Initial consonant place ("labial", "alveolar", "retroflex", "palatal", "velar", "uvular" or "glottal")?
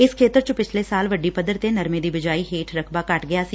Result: alveolar